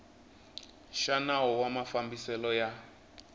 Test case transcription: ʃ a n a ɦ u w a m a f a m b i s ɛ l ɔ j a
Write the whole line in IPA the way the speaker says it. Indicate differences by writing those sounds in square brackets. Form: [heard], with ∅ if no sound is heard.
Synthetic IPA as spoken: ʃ a n a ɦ [ɔ] w a m a f a m b i s ɛ l ɔ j a